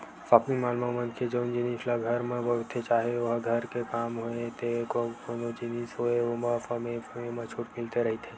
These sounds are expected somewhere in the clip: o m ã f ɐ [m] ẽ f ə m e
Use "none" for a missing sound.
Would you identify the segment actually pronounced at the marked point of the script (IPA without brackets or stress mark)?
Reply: m